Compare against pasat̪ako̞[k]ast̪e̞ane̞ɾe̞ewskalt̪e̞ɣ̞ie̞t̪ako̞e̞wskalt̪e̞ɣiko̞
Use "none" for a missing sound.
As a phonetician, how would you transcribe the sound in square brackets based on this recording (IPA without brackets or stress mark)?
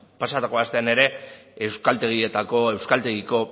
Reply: none